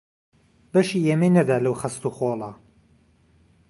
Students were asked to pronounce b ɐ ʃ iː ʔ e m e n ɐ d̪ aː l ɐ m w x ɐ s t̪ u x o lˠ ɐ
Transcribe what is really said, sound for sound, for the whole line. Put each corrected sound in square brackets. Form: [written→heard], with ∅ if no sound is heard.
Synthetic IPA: b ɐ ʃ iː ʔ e m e n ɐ d̪ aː l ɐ [m→∅] w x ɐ s t̪ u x o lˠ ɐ